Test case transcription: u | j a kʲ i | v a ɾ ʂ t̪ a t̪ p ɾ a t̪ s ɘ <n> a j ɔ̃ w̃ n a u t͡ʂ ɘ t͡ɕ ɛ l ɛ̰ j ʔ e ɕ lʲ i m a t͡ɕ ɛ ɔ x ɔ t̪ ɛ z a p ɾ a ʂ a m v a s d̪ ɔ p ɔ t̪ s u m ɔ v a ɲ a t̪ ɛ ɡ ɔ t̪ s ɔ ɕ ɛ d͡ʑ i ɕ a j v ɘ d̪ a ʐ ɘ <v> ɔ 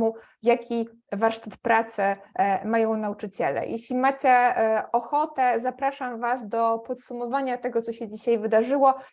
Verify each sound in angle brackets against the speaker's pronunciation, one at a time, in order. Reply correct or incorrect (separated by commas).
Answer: incorrect, incorrect